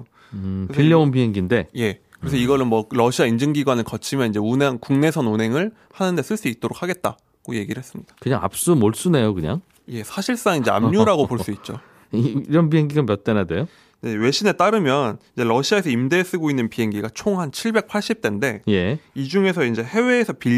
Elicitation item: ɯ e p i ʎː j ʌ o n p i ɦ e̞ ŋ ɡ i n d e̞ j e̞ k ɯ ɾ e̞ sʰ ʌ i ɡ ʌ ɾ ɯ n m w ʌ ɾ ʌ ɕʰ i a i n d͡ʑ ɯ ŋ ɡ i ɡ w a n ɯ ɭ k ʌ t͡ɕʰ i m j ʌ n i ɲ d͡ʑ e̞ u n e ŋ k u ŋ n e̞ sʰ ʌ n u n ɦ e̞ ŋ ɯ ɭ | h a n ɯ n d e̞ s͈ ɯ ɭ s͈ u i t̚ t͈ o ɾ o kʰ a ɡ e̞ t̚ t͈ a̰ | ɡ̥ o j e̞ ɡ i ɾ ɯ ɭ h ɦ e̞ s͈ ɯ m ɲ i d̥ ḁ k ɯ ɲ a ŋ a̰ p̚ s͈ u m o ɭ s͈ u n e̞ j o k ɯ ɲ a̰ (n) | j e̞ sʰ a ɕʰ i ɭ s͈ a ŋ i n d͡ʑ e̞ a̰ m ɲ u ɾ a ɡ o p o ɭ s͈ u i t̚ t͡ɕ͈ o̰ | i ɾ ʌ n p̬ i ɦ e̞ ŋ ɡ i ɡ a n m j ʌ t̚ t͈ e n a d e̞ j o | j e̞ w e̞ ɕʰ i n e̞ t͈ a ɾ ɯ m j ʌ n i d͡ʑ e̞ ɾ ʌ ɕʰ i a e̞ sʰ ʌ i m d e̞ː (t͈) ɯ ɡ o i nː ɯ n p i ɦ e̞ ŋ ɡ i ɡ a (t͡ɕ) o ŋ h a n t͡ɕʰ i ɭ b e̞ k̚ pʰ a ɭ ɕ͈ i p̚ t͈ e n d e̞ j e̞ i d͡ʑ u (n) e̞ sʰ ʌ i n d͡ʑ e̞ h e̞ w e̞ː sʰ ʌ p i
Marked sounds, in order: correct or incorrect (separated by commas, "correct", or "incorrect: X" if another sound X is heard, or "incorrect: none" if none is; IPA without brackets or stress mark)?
incorrect: ŋ, incorrect: s͈, incorrect: t͡ɕʰ, incorrect: ŋ